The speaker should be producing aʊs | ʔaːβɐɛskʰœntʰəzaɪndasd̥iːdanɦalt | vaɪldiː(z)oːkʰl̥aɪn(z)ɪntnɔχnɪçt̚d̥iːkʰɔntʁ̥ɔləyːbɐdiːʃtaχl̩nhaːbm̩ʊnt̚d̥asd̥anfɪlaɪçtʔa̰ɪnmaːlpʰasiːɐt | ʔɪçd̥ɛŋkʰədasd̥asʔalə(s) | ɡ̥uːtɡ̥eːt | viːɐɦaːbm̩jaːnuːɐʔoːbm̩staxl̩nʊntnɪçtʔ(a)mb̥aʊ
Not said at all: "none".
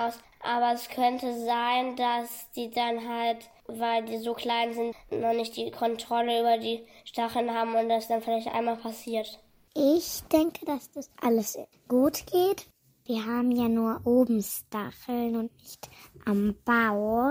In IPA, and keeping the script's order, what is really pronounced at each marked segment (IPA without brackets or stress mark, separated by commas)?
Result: z, z, s, a